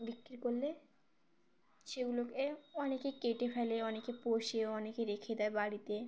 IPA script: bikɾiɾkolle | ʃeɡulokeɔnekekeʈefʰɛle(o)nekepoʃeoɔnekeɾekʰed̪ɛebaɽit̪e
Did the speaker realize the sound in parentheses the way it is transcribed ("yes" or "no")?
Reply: no